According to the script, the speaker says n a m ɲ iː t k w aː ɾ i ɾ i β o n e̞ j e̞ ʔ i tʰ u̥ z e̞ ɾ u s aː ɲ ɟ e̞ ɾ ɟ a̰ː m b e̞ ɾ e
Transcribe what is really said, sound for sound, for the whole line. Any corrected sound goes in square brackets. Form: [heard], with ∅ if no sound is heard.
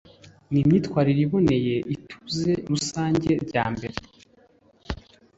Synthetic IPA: n [i] m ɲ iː t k w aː ɾ i ɾ i β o n e̞ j e̞ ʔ i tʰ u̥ z e̞ ɾ u s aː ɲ ɟ e̞ ɾ ɟ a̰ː m b e̞ ɾ e